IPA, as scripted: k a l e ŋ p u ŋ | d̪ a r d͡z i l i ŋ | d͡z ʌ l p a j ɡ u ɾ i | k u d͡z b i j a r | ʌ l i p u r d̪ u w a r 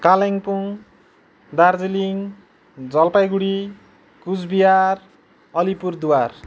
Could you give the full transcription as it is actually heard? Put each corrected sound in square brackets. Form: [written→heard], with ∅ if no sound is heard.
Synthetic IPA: k a l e ŋ p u ŋ | d̪ a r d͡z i l i ŋ | d͡z ʌ l p a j ɡ u [ɾ→ɽ] i | k u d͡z b i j a r | ʌ l i p u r d̪ u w a r

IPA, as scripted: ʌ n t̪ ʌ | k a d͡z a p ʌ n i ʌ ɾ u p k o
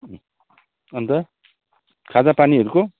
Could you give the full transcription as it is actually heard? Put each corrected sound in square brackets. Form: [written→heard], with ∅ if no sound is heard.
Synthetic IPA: ʌ n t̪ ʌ | [k→kʰ] a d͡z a p [ʌ→a] n i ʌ ɾ u [p→∅] k o

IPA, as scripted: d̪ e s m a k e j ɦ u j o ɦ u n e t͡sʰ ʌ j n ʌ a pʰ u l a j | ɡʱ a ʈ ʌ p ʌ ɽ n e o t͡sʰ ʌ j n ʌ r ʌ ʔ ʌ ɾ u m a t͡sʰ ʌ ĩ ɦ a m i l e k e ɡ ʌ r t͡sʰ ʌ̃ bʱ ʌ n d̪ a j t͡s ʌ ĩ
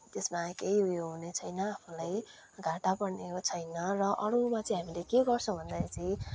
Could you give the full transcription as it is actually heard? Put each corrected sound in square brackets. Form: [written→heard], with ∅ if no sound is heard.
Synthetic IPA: [d̪→t̪] e s m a k e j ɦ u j o ɦ u n e t͡sʰ ʌ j n ʌ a pʰ u l a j | ɡʱ a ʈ [ʌ→a] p ʌ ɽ n e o t͡sʰ ʌ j n ʌ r ʌ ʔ ʌ ɾ u m a [t͡sʰ→t͡s] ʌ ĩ ɦ a m i l e k e ɡ ʌ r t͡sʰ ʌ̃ bʱ ʌ n d̪ a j t͡s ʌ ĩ

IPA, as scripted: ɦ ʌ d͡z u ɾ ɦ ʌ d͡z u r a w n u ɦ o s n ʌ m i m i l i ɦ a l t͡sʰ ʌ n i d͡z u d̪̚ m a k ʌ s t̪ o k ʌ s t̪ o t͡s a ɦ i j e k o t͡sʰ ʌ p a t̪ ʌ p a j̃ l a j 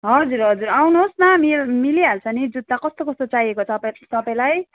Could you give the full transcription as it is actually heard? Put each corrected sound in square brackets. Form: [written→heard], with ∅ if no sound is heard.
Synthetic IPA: ɦ ʌ d͡z u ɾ ɦ ʌ d͡z u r a w n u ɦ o s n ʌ m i m i l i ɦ a l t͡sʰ ʌ n i d͡z u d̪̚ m a k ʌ s t̪ o k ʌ s t̪ o t͡s a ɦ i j e k o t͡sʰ ʌ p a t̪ ʌ p a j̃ l a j

